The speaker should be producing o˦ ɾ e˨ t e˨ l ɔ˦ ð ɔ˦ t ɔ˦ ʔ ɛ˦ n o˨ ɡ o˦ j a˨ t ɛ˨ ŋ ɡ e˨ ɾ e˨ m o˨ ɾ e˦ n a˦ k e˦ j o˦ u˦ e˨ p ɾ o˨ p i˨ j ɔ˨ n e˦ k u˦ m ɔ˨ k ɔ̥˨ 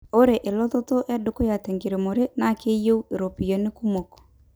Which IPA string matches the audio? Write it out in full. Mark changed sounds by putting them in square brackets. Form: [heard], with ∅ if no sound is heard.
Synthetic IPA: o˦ ɾ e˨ [ʔ] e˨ l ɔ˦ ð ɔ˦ t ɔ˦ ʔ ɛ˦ [d] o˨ [k] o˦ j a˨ t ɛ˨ ŋ ɡ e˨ ɾ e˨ m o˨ ɾ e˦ n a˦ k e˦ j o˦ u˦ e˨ [∅] ɾ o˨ p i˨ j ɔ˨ n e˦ k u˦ m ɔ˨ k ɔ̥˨